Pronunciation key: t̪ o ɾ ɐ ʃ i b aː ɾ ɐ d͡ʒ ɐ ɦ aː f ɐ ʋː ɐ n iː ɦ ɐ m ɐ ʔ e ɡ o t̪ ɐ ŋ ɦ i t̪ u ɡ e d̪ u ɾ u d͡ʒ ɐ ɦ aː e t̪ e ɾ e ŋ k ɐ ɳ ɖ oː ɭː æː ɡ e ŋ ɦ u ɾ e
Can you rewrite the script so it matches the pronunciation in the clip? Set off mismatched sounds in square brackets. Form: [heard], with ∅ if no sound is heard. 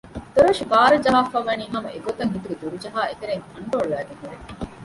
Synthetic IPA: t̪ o ɾ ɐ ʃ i b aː ɾ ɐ d͡ʒ ɐ ɦ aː f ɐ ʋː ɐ n iː ɦ ɐ m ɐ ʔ e ɡ o t̪ ɐ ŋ ɦ i t̪ u ɡ e d̪ u ɾ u d͡ʒ ɐ ɦ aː e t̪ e ɾ e ŋ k ɐ ɳ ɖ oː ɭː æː ɡ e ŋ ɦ u ɾ e